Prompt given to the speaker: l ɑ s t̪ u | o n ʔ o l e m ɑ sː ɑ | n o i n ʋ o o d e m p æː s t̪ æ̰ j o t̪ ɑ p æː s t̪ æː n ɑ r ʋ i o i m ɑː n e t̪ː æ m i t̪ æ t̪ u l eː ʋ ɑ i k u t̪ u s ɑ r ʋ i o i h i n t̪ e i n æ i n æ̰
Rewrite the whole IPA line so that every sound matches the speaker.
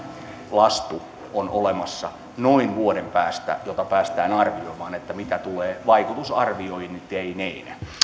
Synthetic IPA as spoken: l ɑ s t̪ u | o n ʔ o l e m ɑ sː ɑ | n o i n ʋ u o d e m p æː s t̪ æ̰ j o t̪ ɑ p æː s t̪ æː n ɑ r ʋ i o i m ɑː n e t̪ː æ m i t̪ æ t̪ u l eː ʋ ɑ i k u t̪ u s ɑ r ʋ i o i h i n t̪ e i n e i n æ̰